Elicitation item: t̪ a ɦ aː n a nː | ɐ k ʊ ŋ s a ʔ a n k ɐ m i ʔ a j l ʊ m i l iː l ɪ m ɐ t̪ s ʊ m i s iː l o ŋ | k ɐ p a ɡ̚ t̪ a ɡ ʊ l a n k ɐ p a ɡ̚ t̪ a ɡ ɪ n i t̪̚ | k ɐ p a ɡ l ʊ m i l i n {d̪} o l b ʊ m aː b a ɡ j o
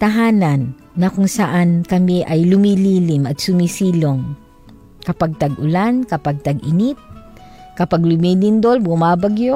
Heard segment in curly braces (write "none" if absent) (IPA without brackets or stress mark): d̪